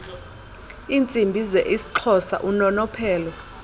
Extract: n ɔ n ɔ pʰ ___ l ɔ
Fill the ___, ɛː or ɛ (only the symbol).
ɛː